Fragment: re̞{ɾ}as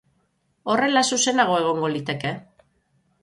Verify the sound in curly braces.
incorrect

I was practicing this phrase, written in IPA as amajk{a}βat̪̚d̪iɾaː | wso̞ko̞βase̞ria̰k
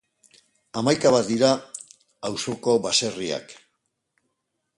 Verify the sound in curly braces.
correct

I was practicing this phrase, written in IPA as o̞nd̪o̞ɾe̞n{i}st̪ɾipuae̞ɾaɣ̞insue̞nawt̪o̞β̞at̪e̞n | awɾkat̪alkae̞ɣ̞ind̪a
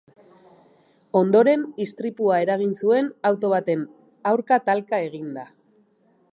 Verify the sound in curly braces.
correct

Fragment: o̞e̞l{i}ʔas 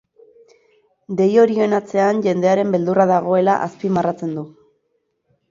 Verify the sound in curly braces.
incorrect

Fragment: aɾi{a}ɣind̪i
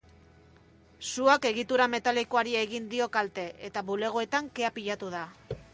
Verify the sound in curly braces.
incorrect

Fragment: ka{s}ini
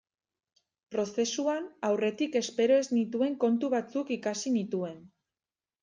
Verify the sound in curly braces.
correct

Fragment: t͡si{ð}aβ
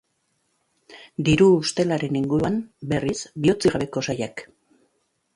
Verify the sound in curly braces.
incorrect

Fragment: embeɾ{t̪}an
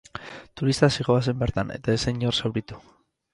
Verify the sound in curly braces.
correct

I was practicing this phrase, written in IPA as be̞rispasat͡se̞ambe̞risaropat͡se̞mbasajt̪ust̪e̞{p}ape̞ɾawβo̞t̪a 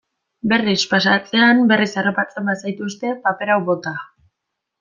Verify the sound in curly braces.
correct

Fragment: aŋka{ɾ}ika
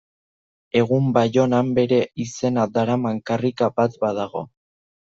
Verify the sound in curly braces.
incorrect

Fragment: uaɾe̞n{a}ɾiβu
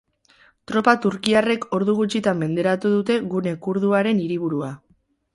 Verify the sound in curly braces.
incorrect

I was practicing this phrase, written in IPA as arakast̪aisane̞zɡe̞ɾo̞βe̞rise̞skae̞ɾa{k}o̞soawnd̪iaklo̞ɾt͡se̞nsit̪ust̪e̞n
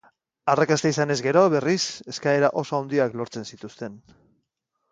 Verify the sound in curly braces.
incorrect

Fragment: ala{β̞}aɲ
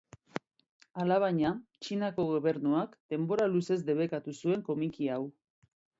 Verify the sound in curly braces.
correct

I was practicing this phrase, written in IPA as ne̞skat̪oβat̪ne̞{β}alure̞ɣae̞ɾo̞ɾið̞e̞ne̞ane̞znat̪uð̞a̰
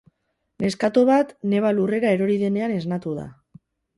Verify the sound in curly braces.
correct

